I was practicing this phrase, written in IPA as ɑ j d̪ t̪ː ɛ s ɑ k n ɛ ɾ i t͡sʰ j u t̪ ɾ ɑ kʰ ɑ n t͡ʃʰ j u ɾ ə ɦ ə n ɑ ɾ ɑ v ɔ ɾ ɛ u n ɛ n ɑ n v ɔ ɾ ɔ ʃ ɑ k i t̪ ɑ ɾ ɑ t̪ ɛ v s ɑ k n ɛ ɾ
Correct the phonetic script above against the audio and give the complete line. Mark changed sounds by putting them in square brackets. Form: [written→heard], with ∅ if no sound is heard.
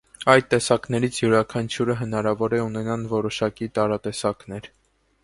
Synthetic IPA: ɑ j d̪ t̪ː ɛ s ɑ k n ɛ ɾ i t͡sʰ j u [t̪→∅] ɾ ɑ kʰ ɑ n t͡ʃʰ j u ɾ ə ɦ ə n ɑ ɾ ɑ v ɔ ɾ ɛ u n ɛ n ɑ n v ɔ ɾ ɔ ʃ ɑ k i t̪ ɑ ɾ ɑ t̪ ɛ [v→∅] s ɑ k n ɛ ɾ